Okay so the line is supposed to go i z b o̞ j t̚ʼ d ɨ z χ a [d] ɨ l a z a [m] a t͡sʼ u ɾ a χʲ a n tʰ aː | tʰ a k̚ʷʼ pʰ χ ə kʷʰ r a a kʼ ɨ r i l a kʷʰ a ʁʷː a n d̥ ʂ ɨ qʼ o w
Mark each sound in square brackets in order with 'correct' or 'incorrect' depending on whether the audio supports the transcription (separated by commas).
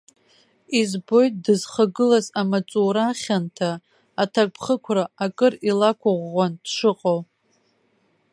incorrect, correct